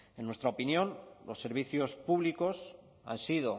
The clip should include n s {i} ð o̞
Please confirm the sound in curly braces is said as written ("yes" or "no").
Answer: yes